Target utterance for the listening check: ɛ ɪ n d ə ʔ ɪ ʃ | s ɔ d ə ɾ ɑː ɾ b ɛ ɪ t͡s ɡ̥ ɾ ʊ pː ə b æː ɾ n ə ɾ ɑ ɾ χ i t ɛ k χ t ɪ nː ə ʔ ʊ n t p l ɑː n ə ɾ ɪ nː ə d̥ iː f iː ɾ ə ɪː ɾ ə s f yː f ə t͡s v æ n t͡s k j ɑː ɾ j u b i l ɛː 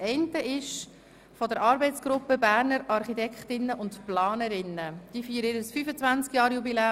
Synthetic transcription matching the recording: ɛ ɪ n t ə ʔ ɪ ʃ | f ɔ d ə ɾ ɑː ɾ b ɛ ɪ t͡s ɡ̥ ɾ ʊ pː ə b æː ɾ n ə ɾ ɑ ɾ χ i t ɛ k χ t ɪ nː ə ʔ ʊ n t p l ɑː n ə ɾ ɪ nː ə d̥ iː f iː ɾ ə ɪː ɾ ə s f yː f ə t͡s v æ n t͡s k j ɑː ɾ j u b i l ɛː